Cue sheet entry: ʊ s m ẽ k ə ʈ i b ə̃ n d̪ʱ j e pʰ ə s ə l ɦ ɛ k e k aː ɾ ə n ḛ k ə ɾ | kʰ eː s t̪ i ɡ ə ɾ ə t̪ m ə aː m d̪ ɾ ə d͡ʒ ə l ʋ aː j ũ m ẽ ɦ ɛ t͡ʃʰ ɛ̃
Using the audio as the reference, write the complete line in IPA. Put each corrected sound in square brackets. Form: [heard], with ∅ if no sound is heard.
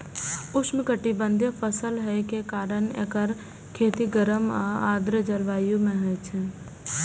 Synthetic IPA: ʊ s m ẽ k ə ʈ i b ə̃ n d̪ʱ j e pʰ ə s ə l ɦ ɛ k e k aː ɾ ə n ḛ k ə ɾ | kʰ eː [∅] t̪ i ɡ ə ɾ ə [∅] m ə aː [∅] d̪ ɾ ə d͡ʒ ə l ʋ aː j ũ m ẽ ɦ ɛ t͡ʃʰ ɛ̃